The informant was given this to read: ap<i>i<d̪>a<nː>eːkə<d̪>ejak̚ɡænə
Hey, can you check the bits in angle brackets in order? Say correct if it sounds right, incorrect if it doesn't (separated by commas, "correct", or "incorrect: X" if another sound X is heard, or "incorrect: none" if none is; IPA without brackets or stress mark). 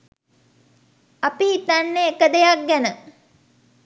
correct, incorrect: t̪, correct, correct